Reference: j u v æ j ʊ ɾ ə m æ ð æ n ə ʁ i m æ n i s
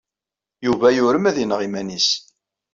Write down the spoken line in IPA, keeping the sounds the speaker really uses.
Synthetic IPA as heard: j u v æ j ʊ ɾ ə m æ ð i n ə ʁ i m æ n i s